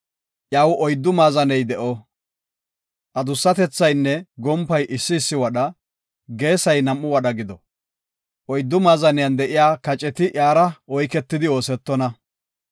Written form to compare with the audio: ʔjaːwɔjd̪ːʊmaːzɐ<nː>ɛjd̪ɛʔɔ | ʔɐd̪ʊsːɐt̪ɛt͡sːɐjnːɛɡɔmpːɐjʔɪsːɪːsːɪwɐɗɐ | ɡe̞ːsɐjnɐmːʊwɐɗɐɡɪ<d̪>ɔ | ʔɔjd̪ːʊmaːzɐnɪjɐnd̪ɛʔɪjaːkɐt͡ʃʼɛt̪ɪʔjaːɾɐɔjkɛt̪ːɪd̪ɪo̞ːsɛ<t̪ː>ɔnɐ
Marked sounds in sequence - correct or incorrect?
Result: incorrect: n, correct, correct

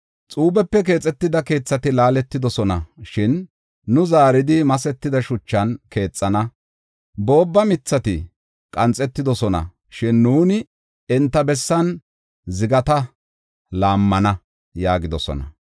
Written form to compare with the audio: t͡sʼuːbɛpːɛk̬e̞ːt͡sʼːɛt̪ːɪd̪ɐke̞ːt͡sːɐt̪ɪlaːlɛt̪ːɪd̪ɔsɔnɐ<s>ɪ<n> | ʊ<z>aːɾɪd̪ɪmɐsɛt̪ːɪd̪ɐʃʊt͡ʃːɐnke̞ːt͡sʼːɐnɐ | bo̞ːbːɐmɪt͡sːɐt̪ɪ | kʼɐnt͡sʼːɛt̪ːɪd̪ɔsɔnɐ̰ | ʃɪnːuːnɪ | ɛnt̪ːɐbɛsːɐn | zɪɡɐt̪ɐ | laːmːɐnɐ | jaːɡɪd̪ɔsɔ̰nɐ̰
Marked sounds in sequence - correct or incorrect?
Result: incorrect: ʃ, incorrect: nː, correct

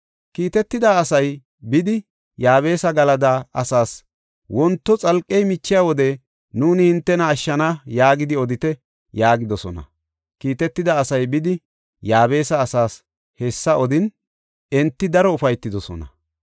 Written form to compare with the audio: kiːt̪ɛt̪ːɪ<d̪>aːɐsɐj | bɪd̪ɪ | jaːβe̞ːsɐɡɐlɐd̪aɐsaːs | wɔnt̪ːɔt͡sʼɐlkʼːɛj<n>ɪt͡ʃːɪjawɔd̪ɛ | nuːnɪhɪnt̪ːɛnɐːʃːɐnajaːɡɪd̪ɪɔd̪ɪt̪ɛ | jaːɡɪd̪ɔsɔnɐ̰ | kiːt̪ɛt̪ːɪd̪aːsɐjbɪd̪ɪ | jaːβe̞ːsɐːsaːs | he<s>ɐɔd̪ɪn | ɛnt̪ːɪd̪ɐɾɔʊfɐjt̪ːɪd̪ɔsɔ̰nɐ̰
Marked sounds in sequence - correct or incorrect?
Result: correct, incorrect: m, incorrect: sː

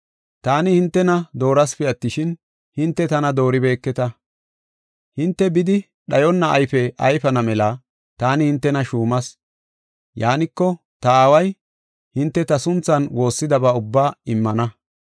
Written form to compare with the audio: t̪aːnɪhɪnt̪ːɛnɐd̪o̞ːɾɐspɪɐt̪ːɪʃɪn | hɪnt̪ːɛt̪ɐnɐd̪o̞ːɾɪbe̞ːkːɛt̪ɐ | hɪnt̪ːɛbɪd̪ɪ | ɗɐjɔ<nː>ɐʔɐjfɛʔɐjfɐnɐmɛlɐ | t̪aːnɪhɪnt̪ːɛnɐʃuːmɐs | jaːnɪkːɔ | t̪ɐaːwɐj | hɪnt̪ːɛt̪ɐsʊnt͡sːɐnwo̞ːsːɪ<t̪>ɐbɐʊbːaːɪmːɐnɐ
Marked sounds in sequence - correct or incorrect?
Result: correct, incorrect: d̪

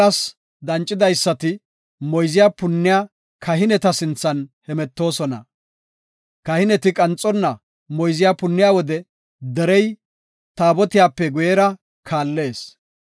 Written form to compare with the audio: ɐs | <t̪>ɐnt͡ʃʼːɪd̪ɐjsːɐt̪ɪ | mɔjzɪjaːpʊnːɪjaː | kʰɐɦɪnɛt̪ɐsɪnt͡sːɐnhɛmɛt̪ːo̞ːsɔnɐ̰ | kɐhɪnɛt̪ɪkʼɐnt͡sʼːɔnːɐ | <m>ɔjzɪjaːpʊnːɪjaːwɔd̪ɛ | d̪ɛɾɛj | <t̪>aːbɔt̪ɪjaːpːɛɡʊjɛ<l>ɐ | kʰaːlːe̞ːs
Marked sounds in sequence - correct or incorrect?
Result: incorrect: d̪, correct, correct, incorrect: ɾ

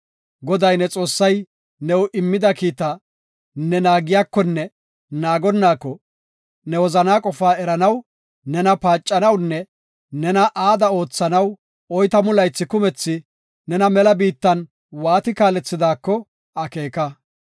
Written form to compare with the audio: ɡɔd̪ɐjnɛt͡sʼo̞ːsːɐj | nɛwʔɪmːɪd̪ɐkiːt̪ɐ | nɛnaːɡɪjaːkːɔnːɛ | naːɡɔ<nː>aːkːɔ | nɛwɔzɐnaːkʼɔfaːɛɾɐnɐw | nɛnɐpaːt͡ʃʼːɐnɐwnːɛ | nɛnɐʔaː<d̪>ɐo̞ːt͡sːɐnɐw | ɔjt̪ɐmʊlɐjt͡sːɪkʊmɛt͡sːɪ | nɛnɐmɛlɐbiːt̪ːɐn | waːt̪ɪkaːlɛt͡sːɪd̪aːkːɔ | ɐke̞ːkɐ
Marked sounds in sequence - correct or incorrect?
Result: correct, correct

